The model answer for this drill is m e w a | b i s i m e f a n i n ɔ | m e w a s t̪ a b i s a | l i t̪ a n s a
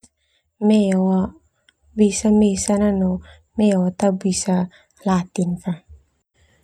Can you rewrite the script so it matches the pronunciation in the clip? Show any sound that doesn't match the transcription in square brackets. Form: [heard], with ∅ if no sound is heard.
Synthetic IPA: m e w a | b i s [a] m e [s] a n [a] n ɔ | m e w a [∅] t̪ a b i s a | l [a] t̪ [i] n [f] a